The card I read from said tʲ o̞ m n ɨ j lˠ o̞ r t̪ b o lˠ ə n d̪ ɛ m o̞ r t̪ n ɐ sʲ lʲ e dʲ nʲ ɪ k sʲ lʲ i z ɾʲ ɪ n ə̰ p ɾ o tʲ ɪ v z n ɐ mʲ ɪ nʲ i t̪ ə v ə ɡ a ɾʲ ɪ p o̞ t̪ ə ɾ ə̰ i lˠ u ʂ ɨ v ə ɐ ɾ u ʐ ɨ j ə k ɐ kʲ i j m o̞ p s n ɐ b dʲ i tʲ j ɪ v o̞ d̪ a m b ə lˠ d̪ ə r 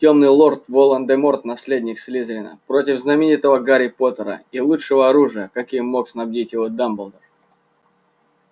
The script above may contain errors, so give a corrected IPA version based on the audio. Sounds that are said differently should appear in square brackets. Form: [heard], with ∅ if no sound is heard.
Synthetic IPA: tʲ o̞ m n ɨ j lˠ o̞ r t̪ [v] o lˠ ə n d̪ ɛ m o̞ r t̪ n ɐ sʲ lʲ e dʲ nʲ ɪ k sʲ lʲ i z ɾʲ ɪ n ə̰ p ɾ o tʲ ɪ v z n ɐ mʲ ɪ nʲ i t̪ ə v ə ɡ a ɾʲ ɪ p o̞ t̪ ə ɾ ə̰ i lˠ u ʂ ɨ v ə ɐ ɾ u ʐ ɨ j ə k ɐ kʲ i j m o̞ [k] s n ɐ b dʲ i tʲ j ɪ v o̞ d̪ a m b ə lˠ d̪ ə r